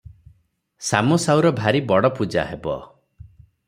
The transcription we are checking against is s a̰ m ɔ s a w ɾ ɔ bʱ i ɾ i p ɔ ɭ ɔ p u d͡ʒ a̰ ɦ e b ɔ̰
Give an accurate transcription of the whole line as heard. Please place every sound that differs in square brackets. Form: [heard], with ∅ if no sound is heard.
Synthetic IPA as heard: s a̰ m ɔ s a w ɾ ɔ bʱ [a] ɾ i [b] ɔ [ɽ] ɔ p u d͡ʒ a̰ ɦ e b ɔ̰